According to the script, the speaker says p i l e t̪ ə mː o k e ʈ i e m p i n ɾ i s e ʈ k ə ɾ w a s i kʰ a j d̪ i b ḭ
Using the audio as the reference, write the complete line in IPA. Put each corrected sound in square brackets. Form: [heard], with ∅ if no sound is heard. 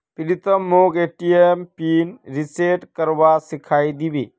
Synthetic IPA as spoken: p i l [i] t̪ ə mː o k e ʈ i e m p i n ɾ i s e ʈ k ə ɾ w a s i kʰ a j d̪ i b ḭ